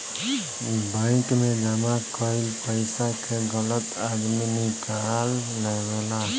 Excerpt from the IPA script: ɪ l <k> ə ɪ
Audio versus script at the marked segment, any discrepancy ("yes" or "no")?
yes